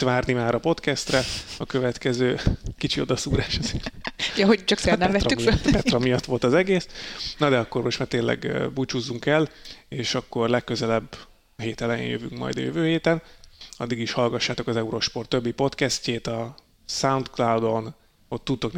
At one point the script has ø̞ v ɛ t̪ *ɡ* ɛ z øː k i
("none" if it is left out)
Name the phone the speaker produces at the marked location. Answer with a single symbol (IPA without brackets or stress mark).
k